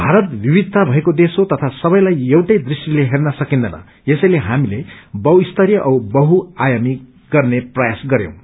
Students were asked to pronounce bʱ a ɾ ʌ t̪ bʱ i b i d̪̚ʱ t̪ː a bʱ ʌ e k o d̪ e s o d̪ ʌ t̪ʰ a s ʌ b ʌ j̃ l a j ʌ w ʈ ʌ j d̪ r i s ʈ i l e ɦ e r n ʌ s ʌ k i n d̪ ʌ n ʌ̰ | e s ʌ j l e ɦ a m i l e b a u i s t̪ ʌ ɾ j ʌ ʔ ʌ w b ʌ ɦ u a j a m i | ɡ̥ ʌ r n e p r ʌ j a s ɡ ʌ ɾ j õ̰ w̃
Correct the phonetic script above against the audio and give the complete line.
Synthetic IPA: bʱ a ɾ ʌ t̪ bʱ i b i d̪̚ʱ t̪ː a bʱ ʌ e k o d̪ e s o t̪ ʌ t̪ʰ a s ʌ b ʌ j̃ l a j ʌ w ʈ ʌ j d̪ r i s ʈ i l e ɦ e r n ʌ s ʌ k i n d̪ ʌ n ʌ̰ | e s ʌ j l e ɦ a m i l e b ʌ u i s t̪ ʌ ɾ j ʌ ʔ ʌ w b ʌ ɦ u a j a m i | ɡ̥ ʌ r n e p r ʌ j a s ɡ ʌ ɾ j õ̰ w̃